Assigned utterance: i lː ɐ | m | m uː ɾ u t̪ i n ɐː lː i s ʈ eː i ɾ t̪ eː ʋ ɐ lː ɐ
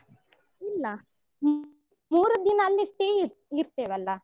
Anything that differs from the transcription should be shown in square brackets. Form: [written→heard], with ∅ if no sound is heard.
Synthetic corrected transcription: i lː ɐ | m | m uː ɾ u [t̪→d̪] i n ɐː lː i s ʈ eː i ɾ t̪ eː ʋ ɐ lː ɐ